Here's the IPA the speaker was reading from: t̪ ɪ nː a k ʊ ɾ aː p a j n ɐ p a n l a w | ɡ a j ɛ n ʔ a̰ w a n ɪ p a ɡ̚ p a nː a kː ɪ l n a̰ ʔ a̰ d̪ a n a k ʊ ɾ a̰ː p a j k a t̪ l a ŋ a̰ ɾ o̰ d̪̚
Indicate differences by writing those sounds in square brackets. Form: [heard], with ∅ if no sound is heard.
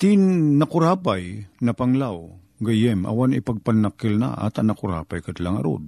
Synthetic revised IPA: t̪ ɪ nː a k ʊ ɾ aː p a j n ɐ p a [ŋ] l a w | ɡ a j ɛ [m] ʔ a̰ w a n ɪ p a ɡ̚ p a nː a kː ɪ l n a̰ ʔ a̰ [t̪] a n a k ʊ ɾ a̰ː p a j k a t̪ l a ŋ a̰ ɾ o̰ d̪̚